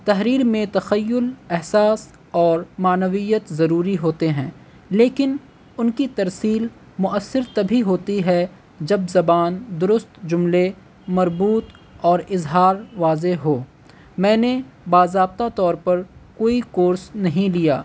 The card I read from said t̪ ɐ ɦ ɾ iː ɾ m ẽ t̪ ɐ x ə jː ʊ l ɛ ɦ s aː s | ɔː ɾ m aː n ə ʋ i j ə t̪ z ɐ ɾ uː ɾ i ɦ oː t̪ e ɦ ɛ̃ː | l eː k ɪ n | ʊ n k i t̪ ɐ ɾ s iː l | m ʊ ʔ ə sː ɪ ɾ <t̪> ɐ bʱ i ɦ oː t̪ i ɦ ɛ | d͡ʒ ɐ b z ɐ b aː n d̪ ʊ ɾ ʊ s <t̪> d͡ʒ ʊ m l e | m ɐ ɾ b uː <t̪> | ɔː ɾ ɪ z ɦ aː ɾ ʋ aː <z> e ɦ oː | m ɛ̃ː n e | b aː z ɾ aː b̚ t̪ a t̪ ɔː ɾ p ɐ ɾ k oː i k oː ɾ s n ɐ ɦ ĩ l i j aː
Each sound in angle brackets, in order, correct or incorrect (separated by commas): correct, correct, correct, correct